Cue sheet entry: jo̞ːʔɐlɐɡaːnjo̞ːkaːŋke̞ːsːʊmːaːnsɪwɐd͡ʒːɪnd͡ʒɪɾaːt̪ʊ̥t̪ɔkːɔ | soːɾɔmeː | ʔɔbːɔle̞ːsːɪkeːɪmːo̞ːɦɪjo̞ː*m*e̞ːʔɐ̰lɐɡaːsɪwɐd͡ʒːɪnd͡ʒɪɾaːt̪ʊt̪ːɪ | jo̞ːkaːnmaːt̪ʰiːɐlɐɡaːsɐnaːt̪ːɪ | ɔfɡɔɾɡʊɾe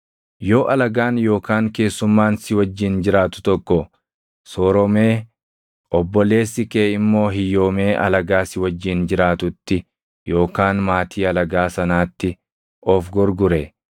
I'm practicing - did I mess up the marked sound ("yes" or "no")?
no